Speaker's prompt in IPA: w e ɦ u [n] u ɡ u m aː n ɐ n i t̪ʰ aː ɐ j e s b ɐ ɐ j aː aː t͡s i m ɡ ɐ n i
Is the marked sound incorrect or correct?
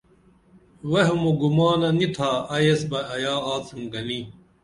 incorrect: m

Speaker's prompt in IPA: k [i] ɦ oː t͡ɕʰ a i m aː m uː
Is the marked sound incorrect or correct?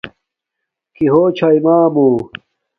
correct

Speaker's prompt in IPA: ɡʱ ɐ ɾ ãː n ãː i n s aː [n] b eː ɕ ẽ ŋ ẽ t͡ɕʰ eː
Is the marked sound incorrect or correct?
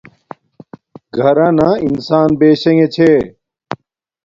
correct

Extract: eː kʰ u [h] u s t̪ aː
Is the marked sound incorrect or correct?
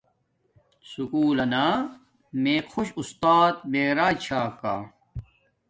incorrect: ɕ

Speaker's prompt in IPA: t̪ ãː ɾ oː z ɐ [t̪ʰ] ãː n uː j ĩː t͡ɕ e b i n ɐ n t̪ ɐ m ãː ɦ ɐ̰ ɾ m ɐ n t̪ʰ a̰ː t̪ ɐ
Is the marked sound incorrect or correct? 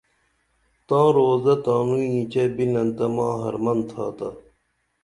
incorrect: t̪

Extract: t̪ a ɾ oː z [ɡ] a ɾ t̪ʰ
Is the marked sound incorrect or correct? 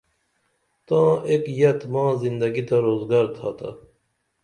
correct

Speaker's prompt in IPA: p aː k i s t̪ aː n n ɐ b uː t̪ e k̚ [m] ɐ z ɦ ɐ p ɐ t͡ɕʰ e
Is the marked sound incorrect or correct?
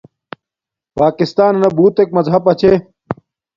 correct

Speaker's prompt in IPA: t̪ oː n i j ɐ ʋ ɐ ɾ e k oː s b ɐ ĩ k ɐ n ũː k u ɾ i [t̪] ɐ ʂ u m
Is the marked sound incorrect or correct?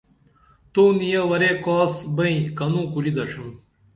incorrect: d̪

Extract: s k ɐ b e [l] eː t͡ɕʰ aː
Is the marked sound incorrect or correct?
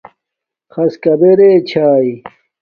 incorrect: ɾ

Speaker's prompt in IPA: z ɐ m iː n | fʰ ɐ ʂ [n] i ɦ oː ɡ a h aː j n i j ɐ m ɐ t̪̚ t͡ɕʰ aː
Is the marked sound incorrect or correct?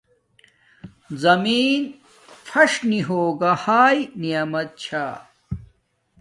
correct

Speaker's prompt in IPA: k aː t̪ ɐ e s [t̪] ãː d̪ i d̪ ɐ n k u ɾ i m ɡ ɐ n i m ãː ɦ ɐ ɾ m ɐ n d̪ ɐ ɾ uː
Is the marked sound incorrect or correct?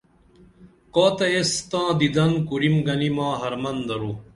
correct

